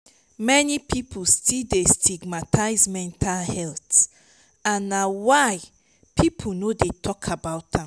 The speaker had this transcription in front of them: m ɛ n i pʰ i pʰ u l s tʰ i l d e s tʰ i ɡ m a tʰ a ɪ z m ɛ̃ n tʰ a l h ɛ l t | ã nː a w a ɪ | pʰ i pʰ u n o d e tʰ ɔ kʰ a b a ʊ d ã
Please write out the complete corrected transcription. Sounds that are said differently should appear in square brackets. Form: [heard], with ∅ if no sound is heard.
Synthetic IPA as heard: m ɛ n i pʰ i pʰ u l s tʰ i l d e s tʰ i ɡ m a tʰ a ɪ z m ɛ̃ n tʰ a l h ɛ l t | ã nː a w a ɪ | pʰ i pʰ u n o d e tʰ ɔ kʰ a b a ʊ [t] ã